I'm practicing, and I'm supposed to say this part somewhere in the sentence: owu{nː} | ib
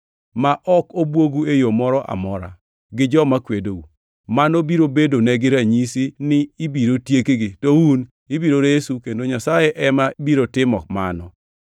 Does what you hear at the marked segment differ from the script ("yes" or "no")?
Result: yes